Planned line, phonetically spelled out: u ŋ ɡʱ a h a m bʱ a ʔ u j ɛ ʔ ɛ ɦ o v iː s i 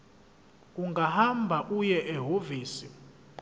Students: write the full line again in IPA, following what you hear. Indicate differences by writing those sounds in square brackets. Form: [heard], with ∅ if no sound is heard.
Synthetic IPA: u ŋ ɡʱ a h a m bʱ a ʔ u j ɛ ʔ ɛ ɦ o v iː s i